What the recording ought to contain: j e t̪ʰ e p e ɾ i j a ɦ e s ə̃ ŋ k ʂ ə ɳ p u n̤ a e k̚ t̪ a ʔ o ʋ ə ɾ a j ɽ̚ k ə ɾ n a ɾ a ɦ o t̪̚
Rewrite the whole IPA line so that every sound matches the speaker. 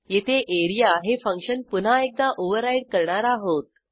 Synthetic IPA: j e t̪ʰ e ʔ e ɾ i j a ɦ e f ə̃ ŋ k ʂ ə n p u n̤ a e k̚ d̪ a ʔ o ʋ ə ɾ a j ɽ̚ k ə ɾ ɳ a ɾ a ɦ o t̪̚